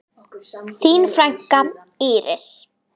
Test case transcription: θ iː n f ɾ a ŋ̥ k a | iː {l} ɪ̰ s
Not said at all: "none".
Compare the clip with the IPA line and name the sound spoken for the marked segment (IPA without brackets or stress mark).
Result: ɾ